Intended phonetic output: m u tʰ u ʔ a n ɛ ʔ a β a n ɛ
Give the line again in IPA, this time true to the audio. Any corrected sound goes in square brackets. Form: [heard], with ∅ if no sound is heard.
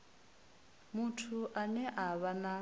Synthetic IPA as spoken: m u tʰ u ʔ a n ɛ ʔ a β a n [a]

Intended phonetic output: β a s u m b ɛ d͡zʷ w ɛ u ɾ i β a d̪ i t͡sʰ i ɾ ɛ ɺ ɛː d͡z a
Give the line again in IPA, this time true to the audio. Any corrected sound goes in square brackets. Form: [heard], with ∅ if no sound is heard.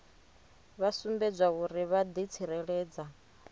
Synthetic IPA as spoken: β a s u m b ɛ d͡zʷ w [a] u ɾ i β a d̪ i t͡sʰ i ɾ ɛ ɺ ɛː d͡z a

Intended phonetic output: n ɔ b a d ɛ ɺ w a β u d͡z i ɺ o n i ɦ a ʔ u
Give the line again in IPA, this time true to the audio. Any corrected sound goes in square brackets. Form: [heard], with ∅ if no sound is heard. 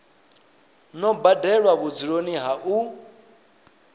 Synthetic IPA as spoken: n ɔ b a d ɛ ɺ w a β u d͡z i ɺ o n i ɦ a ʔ u

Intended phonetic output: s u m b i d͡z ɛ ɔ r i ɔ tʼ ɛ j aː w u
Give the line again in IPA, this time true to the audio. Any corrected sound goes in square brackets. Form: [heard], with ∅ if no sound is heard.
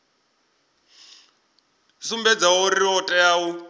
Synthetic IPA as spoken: s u m b [ɛ] d͡z [a] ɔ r i ɔ tʼ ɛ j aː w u

